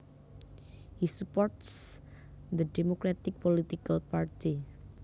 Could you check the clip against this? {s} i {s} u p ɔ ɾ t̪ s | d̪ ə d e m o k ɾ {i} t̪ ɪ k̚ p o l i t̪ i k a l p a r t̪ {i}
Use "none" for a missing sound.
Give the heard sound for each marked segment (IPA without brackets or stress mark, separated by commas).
h, s, a, i